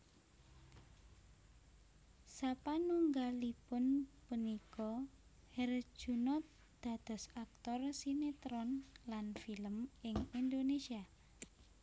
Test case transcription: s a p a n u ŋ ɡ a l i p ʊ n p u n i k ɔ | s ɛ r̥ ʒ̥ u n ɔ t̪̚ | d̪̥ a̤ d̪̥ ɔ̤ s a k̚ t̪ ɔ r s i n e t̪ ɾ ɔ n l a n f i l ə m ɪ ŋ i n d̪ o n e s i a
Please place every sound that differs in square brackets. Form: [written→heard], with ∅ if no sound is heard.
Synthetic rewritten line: s a p a n u ŋ ɡ a l i p ʊ n p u n i k ɔ | [s→h] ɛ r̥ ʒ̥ u n ɔ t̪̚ | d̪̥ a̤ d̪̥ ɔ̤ s a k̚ t̪ ɔ r s i n e t̪ ɾ ɔ n l a n f i l ə m ɪ ŋ i n d̪ o n e s i a